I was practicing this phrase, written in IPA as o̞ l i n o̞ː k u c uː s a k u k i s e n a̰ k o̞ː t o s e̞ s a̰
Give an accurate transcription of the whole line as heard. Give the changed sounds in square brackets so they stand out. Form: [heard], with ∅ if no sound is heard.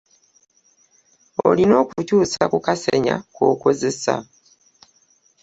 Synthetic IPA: o̞ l i n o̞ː k u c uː s a k u k [a] s e [ɲ] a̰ k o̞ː [k] o [z] e̞ s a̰